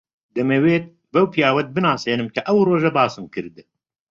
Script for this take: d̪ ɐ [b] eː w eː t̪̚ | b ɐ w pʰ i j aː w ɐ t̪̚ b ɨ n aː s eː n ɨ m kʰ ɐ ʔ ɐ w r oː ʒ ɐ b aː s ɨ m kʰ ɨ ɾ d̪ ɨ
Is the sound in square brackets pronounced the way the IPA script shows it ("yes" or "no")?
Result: no